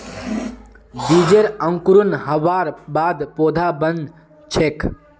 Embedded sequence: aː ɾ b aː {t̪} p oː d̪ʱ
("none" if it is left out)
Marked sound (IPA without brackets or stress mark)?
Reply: d̪